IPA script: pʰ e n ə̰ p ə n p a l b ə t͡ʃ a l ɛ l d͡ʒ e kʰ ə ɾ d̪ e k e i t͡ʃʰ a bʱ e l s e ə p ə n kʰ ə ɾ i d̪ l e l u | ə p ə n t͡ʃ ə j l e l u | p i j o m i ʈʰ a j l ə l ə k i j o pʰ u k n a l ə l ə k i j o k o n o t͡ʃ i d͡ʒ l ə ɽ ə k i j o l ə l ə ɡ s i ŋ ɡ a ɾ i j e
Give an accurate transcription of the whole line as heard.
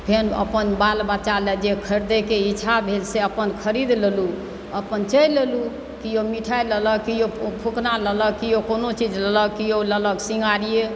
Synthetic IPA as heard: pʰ e n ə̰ p ə n b a l b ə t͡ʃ a l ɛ d͡ʒ e kʰ ə ɾ d̪ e k e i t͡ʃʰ a bʱ e l s e ə p ə n kʰ ə ɾ i d̪ l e l u | ə p ə n t͡ʃ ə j l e l u | k i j o m i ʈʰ a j l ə l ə k i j o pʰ u k n a l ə l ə k i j o k o n o t͡ʃ i d͡ʒ l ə l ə k i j o l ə l ə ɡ s i ŋ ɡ a ɾ i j e

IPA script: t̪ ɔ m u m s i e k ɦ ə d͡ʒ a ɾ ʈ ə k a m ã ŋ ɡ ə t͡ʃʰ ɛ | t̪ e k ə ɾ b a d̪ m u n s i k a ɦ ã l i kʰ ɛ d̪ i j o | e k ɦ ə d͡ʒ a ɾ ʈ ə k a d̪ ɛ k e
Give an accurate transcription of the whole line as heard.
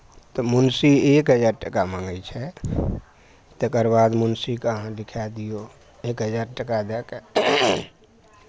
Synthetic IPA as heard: t̪ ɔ m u n s i e k ɦ ə d͡ʒ a ɾ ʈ ə k a m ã ŋ ɡ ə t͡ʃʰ ɛ | t̪ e k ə ɾ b a d̪ m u n s i k ə ɦ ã l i kʰ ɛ d̪ i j o | e k ɦ ə d͡ʒ a ɾ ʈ ə k a d̪ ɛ k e

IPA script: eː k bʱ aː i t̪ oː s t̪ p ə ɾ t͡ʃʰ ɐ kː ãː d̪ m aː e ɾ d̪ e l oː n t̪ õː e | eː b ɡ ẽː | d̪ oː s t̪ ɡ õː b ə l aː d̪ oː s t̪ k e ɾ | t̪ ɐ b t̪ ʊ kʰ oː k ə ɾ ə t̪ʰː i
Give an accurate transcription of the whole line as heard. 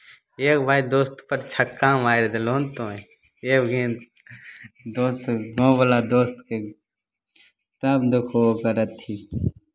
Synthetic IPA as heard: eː k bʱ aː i d̪ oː s t̪ p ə ɾ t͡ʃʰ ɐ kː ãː m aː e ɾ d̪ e l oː n t̪ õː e | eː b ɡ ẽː | d̪ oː s t̪ ɡ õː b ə l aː d̪ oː s t̪ k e | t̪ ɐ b d̪ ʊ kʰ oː k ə ɾ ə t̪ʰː i

